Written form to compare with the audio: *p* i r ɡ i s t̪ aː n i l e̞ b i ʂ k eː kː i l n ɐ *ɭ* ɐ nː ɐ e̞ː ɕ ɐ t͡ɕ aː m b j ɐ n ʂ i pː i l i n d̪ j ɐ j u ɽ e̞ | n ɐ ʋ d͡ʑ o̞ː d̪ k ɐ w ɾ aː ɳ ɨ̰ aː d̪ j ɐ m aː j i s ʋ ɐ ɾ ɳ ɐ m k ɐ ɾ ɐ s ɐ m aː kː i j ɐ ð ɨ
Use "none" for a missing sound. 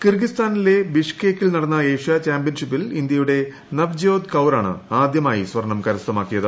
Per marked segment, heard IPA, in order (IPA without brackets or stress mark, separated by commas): k, ɽ